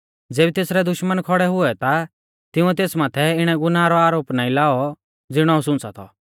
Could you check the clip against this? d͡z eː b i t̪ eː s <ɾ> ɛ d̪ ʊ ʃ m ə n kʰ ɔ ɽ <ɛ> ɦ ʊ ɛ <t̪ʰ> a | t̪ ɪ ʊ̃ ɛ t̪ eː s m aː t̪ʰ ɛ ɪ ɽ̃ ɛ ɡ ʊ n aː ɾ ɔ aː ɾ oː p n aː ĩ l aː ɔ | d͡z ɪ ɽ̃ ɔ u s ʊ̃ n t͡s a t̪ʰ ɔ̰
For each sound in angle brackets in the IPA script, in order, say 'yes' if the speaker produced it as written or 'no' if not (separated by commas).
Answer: yes, yes, no